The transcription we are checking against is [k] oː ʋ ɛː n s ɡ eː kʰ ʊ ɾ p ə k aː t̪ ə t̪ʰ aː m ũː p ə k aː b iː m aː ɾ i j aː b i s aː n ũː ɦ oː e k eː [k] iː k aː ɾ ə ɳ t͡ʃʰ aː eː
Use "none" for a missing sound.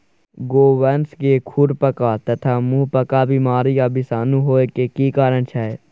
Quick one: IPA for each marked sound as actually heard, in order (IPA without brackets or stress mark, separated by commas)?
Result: ɡ, k